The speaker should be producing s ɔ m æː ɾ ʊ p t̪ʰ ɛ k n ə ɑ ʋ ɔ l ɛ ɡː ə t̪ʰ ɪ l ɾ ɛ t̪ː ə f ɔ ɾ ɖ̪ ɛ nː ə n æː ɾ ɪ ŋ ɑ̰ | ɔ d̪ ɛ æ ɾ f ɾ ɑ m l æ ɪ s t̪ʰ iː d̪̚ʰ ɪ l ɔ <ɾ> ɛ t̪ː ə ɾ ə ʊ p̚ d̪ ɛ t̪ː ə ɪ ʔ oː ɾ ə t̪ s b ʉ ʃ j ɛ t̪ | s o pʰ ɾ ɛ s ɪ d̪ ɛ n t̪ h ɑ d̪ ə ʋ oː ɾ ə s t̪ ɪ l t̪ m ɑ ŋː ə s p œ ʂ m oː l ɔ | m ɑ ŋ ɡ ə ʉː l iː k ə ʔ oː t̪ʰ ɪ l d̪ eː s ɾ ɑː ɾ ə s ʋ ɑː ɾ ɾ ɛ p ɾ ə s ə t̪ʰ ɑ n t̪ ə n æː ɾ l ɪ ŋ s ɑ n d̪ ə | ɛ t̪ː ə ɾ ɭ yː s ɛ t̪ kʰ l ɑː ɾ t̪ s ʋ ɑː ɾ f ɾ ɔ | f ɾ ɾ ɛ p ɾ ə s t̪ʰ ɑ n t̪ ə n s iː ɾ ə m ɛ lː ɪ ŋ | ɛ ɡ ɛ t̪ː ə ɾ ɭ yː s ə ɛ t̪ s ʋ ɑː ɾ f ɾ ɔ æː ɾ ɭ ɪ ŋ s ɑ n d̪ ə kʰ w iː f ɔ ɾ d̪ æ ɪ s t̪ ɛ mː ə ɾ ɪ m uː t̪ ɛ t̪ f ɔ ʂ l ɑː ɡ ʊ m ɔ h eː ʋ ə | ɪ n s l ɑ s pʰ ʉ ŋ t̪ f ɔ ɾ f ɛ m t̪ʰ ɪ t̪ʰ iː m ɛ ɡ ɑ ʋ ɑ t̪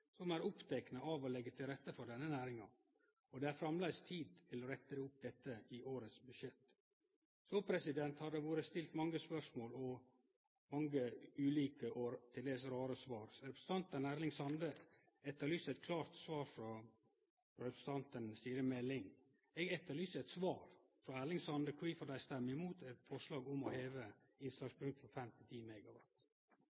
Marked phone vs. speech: correct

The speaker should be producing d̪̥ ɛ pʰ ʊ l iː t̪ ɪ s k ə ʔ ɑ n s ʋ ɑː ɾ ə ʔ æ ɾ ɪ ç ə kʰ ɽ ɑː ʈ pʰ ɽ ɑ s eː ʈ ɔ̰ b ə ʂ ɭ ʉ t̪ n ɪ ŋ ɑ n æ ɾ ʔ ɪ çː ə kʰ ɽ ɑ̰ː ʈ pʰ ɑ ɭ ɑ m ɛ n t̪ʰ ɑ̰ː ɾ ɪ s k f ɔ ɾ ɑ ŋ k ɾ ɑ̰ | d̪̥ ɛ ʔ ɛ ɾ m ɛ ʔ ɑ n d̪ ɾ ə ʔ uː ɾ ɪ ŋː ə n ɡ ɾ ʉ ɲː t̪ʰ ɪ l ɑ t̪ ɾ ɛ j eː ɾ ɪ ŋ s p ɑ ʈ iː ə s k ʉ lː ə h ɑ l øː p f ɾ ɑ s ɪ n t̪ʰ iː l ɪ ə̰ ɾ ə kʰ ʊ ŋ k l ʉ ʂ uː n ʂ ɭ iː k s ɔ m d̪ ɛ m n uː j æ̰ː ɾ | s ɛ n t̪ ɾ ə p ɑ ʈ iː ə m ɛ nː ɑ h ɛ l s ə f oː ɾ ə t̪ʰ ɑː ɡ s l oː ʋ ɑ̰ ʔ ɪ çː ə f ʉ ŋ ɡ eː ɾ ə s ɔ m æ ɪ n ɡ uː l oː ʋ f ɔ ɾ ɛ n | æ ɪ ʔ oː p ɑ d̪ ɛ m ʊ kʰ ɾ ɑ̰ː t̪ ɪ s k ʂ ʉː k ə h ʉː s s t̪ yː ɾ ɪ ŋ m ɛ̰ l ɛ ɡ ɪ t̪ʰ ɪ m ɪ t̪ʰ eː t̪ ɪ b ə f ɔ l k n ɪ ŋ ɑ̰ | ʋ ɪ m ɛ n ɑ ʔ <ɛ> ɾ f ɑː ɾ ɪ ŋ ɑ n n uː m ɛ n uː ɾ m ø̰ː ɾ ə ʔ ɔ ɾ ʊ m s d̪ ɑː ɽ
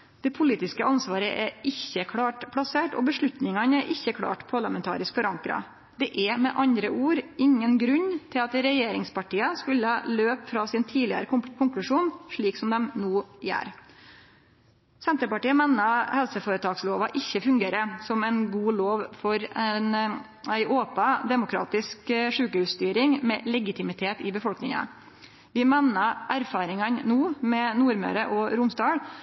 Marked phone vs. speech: incorrect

